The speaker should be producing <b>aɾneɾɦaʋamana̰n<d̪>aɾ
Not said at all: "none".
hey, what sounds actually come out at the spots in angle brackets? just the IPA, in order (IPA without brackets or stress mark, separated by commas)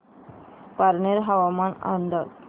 p, d̪